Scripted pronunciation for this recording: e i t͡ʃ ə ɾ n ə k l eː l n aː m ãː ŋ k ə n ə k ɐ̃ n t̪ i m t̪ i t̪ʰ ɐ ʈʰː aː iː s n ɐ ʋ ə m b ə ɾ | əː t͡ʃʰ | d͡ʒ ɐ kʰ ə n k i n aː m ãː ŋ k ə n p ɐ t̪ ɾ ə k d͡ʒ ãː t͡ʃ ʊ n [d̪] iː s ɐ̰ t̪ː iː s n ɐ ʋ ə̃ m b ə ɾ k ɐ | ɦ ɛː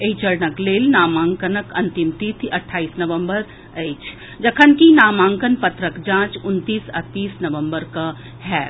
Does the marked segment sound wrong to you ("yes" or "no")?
yes